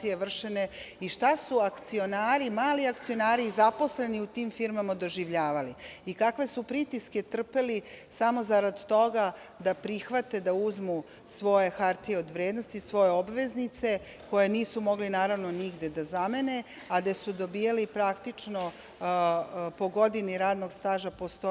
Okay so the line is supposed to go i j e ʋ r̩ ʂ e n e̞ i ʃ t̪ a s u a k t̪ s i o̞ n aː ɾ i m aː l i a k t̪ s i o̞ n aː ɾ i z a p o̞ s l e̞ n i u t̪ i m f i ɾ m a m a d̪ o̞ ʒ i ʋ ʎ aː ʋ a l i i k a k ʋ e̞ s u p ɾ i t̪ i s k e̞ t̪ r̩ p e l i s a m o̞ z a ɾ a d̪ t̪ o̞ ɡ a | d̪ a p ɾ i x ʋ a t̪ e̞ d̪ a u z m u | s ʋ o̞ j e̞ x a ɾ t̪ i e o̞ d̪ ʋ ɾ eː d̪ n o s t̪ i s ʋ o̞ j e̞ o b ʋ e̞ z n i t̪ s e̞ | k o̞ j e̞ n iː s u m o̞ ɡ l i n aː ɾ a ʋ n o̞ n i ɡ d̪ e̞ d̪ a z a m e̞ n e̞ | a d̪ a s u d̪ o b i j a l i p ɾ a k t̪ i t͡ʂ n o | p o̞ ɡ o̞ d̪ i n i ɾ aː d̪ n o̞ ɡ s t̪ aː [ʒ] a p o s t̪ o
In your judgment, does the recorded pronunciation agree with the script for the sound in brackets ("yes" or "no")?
yes